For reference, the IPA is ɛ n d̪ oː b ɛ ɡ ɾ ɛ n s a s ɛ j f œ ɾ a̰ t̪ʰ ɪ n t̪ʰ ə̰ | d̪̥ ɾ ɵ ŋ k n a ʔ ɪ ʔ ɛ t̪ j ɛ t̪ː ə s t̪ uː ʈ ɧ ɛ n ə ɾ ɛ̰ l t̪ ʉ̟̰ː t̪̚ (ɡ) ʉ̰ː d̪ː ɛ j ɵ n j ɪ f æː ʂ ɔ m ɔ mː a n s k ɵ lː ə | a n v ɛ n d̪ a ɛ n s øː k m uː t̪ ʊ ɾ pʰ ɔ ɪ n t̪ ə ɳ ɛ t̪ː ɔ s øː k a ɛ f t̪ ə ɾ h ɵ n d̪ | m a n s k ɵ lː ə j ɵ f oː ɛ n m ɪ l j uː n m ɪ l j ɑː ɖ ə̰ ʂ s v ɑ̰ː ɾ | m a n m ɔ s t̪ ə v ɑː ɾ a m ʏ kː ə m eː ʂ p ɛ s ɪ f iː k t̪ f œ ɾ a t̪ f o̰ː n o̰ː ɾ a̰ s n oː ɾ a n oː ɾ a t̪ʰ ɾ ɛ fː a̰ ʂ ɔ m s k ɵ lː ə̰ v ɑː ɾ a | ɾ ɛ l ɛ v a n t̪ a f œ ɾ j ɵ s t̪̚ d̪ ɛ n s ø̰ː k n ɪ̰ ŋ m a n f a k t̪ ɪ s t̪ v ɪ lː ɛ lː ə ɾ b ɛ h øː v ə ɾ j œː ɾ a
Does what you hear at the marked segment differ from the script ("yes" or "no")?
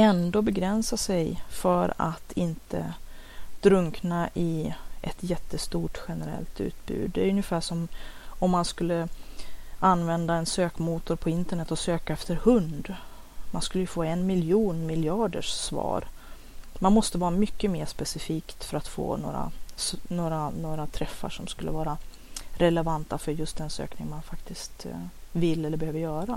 yes